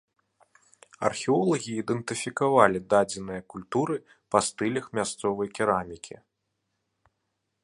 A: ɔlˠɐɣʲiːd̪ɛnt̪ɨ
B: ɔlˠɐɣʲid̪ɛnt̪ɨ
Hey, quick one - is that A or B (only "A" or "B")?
A